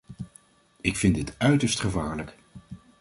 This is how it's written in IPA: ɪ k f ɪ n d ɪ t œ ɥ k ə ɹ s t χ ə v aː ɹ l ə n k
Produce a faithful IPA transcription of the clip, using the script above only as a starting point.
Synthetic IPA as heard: ɪ k f ɪ n d ɪ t œ ɥ t ə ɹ s t χ ə v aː ɹ l ə k